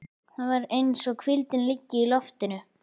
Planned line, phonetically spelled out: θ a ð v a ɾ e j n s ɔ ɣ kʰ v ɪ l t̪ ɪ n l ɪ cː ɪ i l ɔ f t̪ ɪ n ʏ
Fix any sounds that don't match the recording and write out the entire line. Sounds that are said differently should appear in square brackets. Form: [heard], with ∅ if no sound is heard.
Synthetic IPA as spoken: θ a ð v a ɾ e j n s ɔ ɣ kʰ v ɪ l t̪ ɪ n l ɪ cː ɪ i l ɔ f t̪ ɪ n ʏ